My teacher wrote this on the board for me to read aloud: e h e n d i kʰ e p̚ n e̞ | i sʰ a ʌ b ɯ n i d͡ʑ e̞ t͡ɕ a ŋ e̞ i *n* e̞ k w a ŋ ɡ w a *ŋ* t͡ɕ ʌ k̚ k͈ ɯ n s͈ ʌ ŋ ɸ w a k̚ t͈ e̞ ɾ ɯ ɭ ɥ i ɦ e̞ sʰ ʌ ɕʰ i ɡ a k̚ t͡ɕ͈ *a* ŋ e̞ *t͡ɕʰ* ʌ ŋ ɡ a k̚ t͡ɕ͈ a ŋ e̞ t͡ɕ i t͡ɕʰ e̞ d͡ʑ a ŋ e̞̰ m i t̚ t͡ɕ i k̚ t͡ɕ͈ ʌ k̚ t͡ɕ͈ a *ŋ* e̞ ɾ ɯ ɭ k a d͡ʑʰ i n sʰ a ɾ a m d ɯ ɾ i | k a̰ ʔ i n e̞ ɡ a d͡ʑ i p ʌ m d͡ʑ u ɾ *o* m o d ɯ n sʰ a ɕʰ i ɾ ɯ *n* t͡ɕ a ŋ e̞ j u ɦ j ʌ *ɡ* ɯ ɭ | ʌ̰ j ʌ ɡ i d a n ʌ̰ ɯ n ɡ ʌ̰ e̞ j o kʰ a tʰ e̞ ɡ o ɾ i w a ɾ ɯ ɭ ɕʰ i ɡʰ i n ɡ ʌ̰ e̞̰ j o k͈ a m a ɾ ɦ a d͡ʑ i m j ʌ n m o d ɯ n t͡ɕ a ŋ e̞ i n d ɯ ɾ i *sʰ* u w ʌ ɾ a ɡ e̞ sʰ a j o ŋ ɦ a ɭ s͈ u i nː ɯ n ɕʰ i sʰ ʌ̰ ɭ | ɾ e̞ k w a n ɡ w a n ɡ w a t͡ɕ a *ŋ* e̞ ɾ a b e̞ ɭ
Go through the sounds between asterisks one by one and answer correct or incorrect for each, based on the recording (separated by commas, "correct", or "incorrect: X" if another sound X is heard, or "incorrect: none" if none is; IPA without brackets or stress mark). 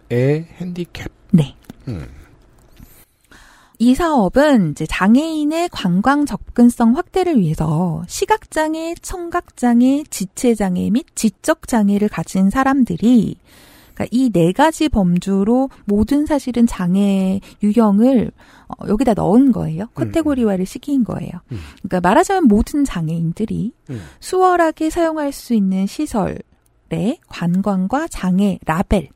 correct, correct, correct, correct, correct, correct, correct, incorrect: ŋ, correct, correct